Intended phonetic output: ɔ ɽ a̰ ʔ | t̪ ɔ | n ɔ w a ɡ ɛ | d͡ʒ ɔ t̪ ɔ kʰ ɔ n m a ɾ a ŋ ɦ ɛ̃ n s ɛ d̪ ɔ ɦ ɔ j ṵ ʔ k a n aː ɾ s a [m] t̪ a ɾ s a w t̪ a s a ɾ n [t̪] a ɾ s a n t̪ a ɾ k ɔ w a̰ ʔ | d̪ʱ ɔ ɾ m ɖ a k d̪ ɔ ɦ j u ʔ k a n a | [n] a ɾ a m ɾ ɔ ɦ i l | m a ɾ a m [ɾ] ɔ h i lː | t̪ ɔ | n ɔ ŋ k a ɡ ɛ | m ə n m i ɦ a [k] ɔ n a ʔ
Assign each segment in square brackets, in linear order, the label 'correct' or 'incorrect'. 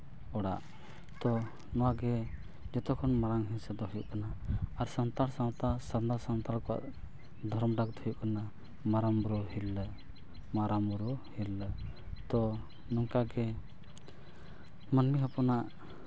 incorrect: n, incorrect: d̪, incorrect: m, correct, incorrect: p

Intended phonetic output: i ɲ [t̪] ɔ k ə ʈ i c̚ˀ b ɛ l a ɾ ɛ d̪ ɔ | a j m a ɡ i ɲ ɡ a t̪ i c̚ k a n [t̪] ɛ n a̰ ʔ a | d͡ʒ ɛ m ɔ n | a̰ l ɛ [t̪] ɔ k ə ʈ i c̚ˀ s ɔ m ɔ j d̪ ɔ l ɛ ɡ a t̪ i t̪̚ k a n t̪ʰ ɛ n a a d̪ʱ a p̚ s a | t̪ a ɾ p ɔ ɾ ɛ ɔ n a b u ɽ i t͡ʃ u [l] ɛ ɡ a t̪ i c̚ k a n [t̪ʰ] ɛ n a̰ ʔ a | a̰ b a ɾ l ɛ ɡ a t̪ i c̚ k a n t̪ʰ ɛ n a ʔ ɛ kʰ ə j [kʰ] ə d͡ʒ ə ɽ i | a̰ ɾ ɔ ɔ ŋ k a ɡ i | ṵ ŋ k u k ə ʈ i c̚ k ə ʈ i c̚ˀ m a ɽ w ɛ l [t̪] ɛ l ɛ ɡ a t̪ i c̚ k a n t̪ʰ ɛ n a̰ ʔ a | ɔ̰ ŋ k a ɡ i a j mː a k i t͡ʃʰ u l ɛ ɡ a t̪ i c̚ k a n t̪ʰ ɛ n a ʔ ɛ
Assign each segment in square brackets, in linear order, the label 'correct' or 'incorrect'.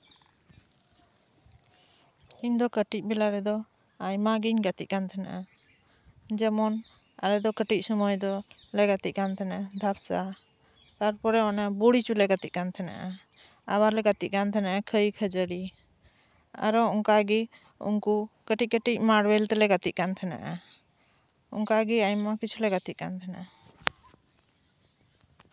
incorrect: d̪, incorrect: t̪ʰ, incorrect: d̪, correct, correct, correct, correct

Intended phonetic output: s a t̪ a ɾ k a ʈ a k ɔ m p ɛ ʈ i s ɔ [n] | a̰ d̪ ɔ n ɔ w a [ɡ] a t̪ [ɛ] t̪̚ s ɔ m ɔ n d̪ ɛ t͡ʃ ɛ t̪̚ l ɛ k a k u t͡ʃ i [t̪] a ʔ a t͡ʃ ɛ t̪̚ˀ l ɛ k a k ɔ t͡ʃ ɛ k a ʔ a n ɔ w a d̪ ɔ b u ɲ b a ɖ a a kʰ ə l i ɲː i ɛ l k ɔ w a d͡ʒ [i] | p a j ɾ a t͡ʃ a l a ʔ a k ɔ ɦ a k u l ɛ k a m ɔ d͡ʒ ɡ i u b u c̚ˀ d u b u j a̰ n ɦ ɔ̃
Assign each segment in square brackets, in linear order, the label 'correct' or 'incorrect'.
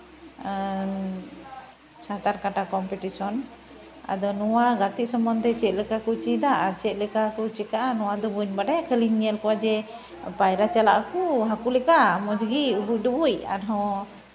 correct, correct, incorrect: i, incorrect: d̪, incorrect: ɛ

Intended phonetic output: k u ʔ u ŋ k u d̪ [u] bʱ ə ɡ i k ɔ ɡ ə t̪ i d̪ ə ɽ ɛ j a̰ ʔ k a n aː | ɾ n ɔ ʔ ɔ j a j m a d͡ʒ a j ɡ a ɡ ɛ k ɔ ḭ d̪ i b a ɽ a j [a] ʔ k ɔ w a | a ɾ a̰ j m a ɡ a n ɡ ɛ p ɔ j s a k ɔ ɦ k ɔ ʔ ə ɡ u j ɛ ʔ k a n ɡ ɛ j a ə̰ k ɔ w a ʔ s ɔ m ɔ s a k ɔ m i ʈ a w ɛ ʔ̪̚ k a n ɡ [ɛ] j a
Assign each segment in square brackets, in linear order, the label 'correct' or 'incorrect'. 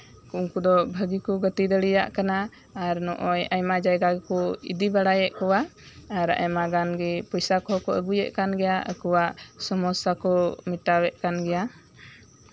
incorrect: ɔ, incorrect: ɛ, correct

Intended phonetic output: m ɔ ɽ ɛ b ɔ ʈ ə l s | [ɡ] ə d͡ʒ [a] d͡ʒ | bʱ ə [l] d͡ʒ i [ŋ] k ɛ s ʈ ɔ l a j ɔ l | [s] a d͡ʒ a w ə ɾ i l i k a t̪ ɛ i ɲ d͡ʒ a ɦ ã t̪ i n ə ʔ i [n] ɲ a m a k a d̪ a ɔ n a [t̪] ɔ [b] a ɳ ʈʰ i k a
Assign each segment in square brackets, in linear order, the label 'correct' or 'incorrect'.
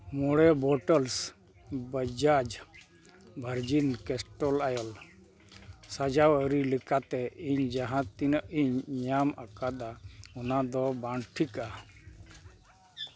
incorrect: b, correct, incorrect: ɾ, incorrect: n, correct, incorrect: ɲ, incorrect: d̪, correct

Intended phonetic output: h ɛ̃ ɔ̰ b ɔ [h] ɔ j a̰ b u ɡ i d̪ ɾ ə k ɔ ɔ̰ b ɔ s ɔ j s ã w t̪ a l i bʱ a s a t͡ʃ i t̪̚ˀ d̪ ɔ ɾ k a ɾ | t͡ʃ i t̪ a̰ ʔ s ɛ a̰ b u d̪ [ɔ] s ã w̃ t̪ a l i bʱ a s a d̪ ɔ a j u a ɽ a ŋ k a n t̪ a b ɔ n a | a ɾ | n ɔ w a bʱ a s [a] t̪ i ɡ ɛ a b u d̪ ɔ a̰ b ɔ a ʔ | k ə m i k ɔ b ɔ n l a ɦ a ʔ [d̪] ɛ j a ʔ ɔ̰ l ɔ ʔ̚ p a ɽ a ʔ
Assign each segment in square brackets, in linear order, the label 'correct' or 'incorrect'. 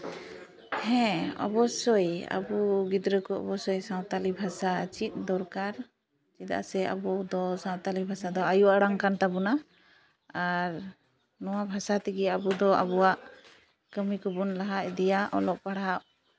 incorrect: s, correct, correct, correct

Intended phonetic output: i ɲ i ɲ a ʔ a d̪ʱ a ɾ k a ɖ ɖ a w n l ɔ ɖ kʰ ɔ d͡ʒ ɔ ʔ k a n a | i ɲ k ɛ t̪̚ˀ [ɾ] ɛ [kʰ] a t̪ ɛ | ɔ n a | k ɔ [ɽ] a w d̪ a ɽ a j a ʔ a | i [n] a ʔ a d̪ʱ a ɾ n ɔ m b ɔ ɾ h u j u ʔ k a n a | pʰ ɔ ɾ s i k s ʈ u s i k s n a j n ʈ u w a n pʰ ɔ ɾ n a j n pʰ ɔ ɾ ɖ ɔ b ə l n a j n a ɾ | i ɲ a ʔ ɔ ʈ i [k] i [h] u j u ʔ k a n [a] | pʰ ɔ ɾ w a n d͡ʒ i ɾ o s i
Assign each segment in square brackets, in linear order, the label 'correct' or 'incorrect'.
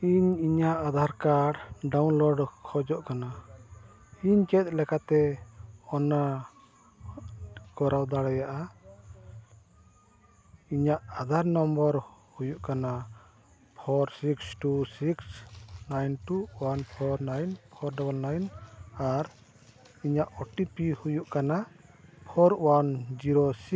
incorrect: l, incorrect: k, incorrect: ɾ, incorrect: ɲ, incorrect: p, correct, correct

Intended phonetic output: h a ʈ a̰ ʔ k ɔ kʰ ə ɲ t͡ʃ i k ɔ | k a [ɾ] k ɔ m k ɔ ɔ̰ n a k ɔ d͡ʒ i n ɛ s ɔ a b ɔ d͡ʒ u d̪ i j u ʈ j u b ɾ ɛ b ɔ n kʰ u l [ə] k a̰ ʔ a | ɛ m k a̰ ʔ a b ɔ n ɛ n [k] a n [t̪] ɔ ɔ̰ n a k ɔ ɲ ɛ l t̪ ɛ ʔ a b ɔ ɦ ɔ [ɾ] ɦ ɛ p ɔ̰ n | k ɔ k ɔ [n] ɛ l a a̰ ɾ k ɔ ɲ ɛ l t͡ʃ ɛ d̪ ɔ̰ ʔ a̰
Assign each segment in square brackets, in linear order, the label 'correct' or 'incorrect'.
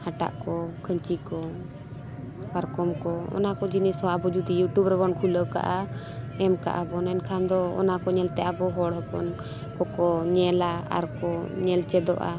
correct, correct, incorrect: kʰ, incorrect: d̪, incorrect: ɽ, incorrect: ɲ

